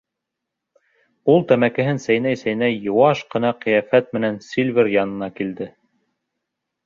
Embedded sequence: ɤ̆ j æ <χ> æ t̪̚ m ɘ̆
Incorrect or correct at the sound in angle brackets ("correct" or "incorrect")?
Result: incorrect